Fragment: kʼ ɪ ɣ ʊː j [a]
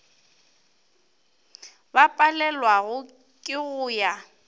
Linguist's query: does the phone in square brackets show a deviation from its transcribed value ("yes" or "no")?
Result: no